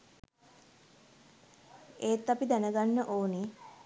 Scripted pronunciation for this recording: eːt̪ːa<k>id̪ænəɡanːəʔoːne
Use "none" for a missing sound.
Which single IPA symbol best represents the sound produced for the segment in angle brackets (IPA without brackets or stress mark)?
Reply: p